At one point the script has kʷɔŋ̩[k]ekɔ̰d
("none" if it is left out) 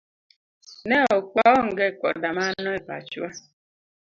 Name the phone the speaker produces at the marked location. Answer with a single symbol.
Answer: ɡ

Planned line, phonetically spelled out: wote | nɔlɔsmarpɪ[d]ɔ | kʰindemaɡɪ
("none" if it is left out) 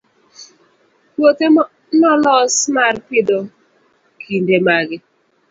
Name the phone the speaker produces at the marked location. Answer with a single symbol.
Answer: d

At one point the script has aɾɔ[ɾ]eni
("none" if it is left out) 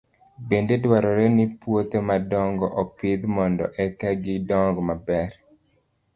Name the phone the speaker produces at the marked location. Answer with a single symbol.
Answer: ɾ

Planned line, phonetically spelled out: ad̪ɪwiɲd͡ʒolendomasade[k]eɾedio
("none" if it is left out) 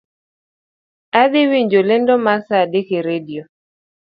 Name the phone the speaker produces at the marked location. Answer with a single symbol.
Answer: k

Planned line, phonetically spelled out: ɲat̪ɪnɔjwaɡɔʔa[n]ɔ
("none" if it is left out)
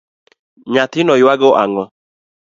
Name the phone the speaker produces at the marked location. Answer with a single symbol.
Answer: ŋ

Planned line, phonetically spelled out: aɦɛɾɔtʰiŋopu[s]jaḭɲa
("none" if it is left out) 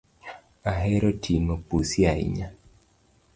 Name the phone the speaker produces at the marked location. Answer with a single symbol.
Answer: s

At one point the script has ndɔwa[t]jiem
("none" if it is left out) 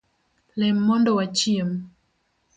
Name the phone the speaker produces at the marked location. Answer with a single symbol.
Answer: t͡ʃ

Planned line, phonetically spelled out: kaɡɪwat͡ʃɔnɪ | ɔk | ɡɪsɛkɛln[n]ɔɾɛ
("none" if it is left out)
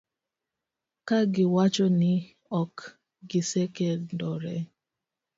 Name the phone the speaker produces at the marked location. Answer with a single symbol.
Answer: d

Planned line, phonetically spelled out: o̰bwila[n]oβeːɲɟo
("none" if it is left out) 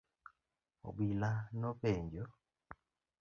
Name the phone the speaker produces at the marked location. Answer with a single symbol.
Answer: n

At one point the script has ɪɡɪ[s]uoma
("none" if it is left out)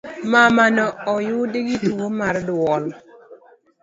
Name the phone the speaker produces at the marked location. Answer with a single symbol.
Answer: t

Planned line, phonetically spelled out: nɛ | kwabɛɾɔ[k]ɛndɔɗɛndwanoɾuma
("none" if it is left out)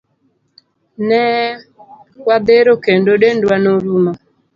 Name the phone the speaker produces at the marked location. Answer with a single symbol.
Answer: k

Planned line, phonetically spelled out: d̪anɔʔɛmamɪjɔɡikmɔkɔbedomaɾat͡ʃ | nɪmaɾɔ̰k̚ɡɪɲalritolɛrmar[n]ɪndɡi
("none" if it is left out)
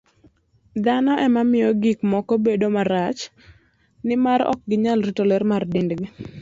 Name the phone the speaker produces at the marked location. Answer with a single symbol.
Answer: d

